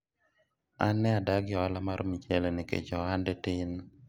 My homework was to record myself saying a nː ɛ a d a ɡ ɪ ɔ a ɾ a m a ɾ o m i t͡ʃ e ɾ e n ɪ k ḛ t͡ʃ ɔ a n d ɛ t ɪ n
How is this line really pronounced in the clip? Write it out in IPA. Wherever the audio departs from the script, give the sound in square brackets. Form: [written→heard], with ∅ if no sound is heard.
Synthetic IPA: a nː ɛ a d a ɡ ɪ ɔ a [ɾ→l] a m a ɾ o m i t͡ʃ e [ɾ→l] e n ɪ k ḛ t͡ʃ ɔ a n d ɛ t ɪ n